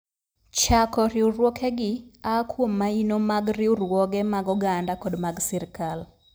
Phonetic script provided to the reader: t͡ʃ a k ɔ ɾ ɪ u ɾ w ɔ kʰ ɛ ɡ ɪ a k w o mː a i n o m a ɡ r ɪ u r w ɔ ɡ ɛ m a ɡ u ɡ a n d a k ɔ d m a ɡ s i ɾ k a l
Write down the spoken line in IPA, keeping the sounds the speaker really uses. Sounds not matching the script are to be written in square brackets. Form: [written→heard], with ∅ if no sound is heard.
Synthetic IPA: t͡ʃ a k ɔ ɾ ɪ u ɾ w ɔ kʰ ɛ ɡ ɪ a k w o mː a i n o m a ɡ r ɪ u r w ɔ ɡ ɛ m a ɡ [u→ɔ] ɡ a n d a k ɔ d m a ɡ s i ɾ k a l